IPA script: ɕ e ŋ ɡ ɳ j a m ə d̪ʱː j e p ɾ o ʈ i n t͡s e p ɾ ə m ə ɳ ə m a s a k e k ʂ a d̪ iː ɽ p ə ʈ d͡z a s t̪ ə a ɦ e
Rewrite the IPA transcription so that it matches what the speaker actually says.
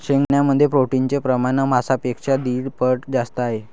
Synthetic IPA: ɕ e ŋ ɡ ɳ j a m ə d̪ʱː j e p ɾ o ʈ i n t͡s e p ɾ ə m a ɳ ə m a s a p e k ʂ a d̪ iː ɽ p ə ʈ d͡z a s t̪ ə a ɦ e